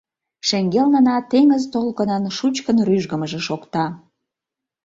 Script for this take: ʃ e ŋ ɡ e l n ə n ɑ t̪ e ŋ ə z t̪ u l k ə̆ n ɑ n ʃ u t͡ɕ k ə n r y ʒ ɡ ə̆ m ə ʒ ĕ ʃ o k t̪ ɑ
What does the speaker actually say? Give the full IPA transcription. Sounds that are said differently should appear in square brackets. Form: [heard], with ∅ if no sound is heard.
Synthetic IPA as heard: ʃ e ŋ ɡ e l n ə n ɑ t̪ e ŋ ə z t̪ [o] l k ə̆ n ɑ n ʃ u t͡ɕ k ə n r y ʒ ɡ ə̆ m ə ʒ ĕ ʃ o k t̪ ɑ

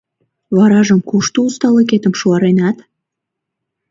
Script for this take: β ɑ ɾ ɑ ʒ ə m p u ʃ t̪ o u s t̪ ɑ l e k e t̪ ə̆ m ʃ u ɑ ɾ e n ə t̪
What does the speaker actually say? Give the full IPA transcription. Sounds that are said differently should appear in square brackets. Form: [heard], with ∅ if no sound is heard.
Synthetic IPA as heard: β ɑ ɾ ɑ ʒ ə m [k] u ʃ t̪ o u s t̪ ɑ l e k e t̪ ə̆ m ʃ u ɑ ɾ e n [ɑ] t̪

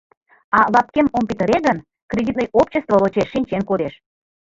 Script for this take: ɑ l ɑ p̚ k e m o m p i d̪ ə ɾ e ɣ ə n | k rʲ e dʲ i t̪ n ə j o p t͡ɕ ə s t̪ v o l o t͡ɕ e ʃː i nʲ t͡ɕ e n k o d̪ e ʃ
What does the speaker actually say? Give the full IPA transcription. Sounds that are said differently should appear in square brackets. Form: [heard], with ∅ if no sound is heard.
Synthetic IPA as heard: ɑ l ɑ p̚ k e m o m p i [t̪] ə ɾ e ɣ ə n | k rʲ e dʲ i t̪ n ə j o p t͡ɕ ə s t̪ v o l o t͡ɕ e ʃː i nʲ t͡ɕ e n k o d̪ e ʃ

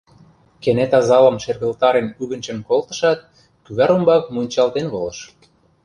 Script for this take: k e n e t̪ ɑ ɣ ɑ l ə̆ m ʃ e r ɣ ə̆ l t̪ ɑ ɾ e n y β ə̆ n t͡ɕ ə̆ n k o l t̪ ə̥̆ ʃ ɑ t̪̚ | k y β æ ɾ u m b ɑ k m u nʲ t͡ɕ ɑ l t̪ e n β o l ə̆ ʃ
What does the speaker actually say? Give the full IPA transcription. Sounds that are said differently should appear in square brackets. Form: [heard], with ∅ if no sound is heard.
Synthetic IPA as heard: k e n e t̪ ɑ [z] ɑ l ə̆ m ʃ e r ɣ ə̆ l t̪ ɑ ɾ e n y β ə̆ n t͡ɕ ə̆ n k o l t̪ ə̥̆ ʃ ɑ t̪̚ | k y β æ ɾ u m b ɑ k m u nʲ t͡ɕ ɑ l t̪ e n β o l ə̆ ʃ

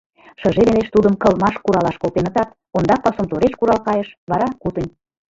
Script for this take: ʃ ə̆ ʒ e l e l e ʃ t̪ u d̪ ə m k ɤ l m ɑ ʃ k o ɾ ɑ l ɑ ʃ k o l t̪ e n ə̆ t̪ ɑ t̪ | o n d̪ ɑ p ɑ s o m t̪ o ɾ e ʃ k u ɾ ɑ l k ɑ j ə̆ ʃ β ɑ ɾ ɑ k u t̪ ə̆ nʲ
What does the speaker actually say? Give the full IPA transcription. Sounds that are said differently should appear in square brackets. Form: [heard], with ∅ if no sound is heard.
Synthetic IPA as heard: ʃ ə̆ ʒ e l e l e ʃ t̪ u d̪ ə m k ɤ l m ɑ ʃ k [u] ɾ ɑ l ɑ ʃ k o l t̪ e n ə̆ t̪ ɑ t̪ | o n d̪ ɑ p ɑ s o m t̪ o ɾ e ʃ k u ɾ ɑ l k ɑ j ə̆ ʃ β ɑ ɾ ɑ k u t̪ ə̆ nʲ

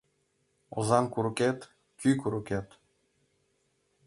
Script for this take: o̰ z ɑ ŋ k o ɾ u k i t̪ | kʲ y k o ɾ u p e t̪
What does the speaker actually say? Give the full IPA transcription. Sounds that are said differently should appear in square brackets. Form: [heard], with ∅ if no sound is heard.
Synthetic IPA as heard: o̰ z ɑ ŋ k [u] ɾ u k [e] t̪ | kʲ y k [u] ɾ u [k] e t̪

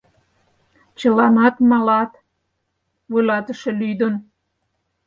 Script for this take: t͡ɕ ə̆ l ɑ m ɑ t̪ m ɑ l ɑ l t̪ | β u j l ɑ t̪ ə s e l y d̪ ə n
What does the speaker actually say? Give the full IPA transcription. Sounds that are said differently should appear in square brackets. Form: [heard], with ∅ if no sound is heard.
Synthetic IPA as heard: t͡ɕ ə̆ l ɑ [n] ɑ t̪ m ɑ l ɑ [∅] t̪ | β u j l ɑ t̪ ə [ʃ] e l y d̪ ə n

